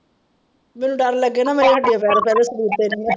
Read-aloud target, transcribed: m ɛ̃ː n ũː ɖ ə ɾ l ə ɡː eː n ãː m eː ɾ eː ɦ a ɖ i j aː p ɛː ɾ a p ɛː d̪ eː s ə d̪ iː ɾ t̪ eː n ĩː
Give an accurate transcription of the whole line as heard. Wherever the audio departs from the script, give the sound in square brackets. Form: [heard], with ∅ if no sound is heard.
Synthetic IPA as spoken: m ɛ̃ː n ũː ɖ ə ɾ l ə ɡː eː n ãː m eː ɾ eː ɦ [ə] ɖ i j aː p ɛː ɾ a p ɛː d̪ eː s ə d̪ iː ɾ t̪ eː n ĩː

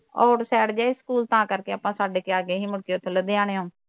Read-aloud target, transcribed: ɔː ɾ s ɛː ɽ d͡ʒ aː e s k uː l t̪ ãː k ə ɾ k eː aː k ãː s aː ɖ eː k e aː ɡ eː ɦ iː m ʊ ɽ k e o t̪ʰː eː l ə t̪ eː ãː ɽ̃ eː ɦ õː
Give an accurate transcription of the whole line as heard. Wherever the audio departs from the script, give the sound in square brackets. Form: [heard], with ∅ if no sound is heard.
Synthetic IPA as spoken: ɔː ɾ s ɛː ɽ d͡ʒ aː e s k uː l t̪ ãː k ə ɾ k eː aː [p] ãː s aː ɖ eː k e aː ɡ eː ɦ iː m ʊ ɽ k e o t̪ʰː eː l ə [d̪] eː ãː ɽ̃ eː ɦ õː

